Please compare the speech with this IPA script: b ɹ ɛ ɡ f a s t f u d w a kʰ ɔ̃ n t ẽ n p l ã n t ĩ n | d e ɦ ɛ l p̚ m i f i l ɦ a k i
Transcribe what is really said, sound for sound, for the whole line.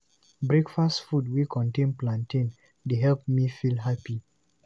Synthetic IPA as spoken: b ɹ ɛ k f a s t f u d w i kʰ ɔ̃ n t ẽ n p l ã n t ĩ n | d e ɦ ɛ l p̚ m i f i l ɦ a p i